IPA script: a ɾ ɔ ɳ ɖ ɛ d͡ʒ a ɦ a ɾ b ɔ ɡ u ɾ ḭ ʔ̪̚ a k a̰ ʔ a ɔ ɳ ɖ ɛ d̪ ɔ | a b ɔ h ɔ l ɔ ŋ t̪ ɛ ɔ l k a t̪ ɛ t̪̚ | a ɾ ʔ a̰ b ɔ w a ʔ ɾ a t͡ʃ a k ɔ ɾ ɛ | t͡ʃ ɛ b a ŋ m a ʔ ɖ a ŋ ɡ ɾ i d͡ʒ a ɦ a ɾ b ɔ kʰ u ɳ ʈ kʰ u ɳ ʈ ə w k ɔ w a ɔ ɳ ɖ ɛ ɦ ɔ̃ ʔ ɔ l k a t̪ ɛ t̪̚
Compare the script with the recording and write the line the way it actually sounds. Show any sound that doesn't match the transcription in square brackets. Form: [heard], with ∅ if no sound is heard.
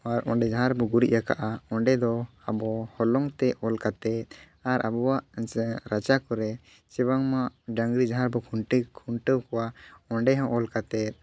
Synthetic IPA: a ɾ ɔ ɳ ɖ ɛ d͡ʒ a ɦ a ɾ b ɔ ɡ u ɾ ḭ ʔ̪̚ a k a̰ ʔ a ɔ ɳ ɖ ɛ d̪ ɔ | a b ɔ h ɔ l ɔ ŋ t̪ ɛ ɔ l k a t̪ ɛ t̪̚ | a ɾ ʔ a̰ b ɔ w a ʔ ɾ a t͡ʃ a k ɔ ɾ ɛ | t͡ʃ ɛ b a ŋ m a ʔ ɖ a ŋ ɡ ɾ i d͡ʒ a ɦ a ɾ b ɔ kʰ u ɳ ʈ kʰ u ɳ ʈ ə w k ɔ w a ɔ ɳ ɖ ɛ ɦ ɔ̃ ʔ ɔ l k a t̪ ɛ t̪̚